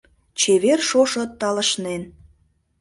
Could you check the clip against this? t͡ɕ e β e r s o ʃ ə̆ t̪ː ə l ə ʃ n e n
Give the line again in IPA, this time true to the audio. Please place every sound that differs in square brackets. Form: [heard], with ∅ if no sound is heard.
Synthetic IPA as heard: t͡ɕ e β e r [ʃ] o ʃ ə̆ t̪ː [ɑ] l ə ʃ n e n